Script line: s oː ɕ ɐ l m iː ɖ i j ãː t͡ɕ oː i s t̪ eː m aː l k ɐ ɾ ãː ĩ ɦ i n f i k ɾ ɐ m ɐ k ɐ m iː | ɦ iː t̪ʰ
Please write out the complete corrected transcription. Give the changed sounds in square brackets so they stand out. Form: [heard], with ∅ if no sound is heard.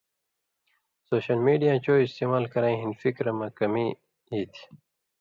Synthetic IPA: s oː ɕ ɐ l m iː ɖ i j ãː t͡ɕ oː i s t̪ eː m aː l k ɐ ɾ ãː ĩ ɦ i n f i k ɾ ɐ m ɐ k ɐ m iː | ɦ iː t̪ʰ